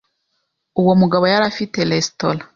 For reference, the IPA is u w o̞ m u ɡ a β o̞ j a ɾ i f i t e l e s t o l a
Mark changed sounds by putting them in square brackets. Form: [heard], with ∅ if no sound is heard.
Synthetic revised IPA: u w o̞ m u ɡ a β o̞ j a ɾ [a] f i t e l e s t o l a